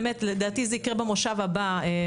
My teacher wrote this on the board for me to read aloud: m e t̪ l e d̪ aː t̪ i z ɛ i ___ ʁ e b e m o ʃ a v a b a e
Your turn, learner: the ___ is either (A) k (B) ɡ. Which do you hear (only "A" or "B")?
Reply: A